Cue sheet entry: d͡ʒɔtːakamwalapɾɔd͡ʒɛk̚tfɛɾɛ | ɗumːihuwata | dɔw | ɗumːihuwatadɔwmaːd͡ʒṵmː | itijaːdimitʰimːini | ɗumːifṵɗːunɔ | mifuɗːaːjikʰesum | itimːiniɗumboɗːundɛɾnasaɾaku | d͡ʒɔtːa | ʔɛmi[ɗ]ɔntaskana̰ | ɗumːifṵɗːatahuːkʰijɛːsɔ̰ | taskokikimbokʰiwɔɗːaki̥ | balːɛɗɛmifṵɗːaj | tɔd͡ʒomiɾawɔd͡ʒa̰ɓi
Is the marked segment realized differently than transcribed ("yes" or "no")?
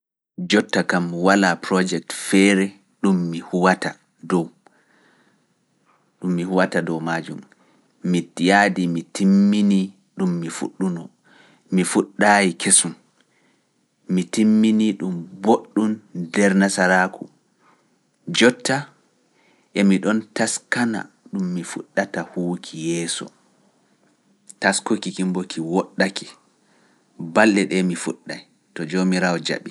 no